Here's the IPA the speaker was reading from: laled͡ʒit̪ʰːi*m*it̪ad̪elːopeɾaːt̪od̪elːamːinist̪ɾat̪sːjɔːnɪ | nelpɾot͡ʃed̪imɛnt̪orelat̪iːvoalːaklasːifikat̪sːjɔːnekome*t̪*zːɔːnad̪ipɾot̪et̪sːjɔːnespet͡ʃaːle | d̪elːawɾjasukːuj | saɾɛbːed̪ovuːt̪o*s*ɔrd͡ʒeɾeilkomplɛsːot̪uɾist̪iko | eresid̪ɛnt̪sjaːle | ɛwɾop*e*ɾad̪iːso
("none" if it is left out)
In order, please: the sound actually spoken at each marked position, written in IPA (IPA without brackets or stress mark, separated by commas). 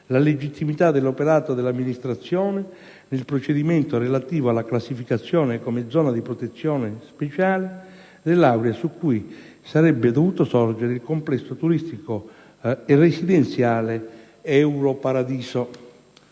m, d̪, s, a